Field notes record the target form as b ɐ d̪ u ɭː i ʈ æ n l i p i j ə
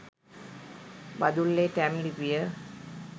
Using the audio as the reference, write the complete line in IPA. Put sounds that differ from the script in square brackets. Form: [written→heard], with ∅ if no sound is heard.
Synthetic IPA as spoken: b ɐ d̪ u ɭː [i→e] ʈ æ [n→m] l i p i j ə